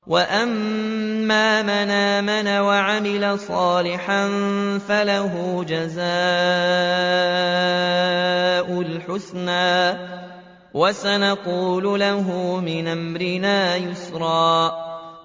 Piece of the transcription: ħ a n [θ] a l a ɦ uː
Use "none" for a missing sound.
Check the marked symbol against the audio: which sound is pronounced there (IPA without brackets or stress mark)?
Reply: f